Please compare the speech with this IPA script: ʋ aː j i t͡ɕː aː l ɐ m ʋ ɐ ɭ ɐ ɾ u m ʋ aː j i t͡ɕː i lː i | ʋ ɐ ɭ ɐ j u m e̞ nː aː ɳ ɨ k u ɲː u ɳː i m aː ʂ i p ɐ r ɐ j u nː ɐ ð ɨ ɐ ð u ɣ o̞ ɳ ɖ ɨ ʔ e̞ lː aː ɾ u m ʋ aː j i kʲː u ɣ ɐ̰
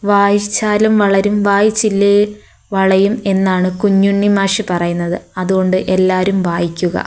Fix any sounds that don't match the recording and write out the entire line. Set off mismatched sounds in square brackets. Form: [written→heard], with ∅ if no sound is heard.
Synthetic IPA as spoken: ʋ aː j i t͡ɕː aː l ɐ m ʋ ɐ ɭ ɐ ɾ u m ʋ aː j i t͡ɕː i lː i | ʋ ɐ ɭ ɐ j u m e̞ nː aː ɳ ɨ k u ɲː u ɳː i m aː ʂ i p ɐ r ɐ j u nː ɐ ð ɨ ɐ ð u ɣ o̞ ɳ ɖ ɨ ʔ e̞ lː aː ɾ u m ʋ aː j i kʲː u ɣ ɐ̰